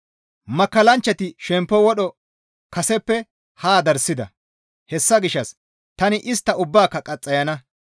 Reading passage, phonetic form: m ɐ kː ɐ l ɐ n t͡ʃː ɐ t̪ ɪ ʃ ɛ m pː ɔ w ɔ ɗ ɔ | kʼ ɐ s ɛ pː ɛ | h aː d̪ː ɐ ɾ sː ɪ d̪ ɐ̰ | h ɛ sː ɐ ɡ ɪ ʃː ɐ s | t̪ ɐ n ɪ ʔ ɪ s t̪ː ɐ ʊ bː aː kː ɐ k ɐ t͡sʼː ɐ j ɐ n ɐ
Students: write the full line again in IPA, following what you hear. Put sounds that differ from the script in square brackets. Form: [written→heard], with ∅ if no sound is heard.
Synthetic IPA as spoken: m ɐ kː ɐ l ɐ n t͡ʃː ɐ t̪ ɪ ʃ ɛ m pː ɔ w ɔ ɗ ɔ | [kʼ→k] ɐ s ɛ pː ɛ | h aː [d̪ː→d̪] ɐ ɾ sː ɪ d̪ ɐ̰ | h ɛ sː ɐ ɡ ɪ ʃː ɐ s | t̪ ɐ n ɪ ʔ ɪ s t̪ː ɐ ʊ bː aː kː ɐ [k→kʼ] ɐ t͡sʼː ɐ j ɐ n ɐ